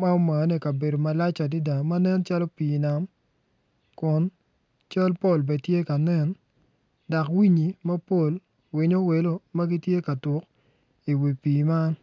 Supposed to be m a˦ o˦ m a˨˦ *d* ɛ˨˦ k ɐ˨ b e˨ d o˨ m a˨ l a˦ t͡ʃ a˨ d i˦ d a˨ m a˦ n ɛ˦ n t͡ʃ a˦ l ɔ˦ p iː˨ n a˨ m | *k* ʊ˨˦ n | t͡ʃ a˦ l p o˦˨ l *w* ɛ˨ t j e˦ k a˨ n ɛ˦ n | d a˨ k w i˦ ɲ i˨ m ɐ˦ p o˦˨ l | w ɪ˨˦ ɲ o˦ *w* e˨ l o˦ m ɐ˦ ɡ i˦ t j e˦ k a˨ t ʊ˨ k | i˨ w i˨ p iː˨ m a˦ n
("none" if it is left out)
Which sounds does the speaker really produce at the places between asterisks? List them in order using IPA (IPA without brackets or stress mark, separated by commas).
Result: n, k, b, w